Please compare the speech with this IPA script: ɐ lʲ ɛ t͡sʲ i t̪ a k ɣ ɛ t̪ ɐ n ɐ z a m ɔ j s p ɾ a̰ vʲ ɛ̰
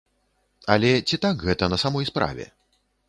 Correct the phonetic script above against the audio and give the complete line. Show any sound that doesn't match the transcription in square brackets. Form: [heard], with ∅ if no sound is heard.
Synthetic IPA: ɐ lʲ ɛ t͡sʲ i t̪ a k ɣ ɛ t̪ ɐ n ɐ [s] a m ɔ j s p ɾ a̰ vʲ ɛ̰